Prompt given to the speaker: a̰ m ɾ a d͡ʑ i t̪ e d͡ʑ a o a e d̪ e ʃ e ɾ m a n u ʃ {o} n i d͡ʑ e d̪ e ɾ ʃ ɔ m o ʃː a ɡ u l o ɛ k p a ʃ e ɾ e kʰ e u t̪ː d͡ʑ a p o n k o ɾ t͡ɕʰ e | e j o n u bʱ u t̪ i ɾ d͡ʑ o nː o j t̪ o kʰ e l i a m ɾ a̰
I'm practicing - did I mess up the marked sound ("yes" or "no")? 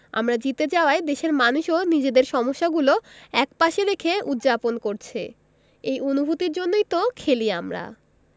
no